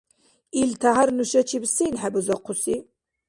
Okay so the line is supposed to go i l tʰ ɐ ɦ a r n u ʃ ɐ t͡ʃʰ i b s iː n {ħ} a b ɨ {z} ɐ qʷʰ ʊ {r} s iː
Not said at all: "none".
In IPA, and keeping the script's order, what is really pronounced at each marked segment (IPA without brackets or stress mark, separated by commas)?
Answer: ħ, z, none